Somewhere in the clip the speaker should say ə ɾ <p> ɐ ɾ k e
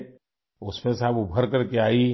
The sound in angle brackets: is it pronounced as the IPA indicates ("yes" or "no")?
no